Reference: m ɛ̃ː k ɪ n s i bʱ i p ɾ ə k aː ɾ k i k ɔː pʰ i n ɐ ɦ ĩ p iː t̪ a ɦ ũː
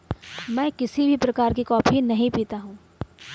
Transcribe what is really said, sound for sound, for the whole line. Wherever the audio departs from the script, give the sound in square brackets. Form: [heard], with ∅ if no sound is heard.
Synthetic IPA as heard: m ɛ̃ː k ɪ [∅] s i bʱ i p ɾ [ɐ] k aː ɾ k i k ɔː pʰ i n ɐ ɦ ĩ p iː t̪ a ɦ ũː